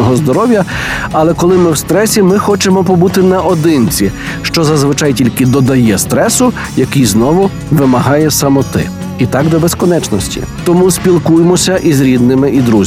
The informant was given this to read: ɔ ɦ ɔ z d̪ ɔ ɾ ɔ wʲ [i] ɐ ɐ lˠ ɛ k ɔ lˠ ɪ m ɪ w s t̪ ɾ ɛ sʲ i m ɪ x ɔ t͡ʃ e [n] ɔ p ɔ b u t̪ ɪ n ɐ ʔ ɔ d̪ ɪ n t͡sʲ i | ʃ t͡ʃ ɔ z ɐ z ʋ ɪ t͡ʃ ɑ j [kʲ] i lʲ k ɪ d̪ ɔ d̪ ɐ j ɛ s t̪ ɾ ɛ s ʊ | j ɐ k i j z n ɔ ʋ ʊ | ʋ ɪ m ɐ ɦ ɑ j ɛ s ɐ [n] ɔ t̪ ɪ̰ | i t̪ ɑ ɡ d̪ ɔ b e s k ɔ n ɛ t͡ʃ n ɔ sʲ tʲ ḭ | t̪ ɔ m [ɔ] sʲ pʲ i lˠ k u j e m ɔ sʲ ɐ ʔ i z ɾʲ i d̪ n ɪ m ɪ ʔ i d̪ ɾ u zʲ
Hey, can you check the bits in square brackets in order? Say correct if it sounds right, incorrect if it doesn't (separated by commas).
incorrect, incorrect, incorrect, incorrect, incorrect